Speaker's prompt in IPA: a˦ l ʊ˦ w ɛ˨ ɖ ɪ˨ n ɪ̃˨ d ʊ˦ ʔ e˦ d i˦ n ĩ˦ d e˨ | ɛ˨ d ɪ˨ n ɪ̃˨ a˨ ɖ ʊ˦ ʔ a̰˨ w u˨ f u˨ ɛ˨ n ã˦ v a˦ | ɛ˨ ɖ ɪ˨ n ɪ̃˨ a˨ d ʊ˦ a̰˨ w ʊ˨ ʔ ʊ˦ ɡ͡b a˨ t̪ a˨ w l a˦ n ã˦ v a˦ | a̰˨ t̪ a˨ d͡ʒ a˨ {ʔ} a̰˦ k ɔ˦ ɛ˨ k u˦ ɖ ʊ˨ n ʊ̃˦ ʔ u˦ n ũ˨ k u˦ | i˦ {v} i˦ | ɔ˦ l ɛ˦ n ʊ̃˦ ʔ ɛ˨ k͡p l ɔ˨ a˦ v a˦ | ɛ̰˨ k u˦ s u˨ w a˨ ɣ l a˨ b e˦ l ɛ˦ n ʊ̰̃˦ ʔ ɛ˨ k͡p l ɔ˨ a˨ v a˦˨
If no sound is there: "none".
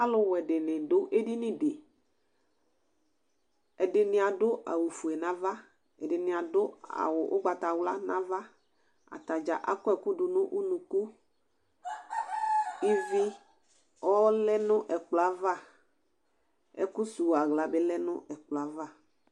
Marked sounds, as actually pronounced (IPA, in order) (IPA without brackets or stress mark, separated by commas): ʔ, v